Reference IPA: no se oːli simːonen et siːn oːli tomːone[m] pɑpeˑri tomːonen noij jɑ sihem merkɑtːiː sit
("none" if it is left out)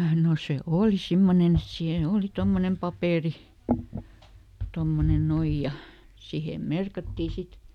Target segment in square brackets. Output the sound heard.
m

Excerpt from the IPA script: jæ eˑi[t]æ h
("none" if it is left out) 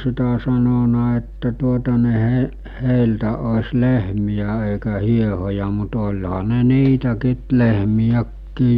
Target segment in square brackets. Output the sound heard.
k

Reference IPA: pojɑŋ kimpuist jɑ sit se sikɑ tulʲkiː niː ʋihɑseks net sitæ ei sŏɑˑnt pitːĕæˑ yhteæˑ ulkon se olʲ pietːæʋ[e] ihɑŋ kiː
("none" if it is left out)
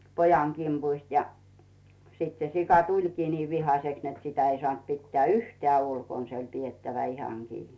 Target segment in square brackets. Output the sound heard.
æ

